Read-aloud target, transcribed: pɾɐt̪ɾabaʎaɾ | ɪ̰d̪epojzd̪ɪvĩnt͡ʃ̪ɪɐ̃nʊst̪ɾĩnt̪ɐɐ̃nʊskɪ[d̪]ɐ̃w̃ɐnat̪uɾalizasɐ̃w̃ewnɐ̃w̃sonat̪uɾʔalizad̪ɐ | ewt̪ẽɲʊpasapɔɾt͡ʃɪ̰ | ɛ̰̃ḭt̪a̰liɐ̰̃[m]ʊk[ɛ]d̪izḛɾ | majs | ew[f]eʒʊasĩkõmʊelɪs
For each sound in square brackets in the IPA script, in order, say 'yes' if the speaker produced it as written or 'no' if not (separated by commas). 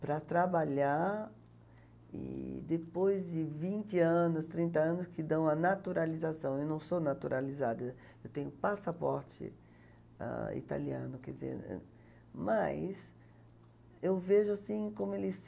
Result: yes, no, yes, no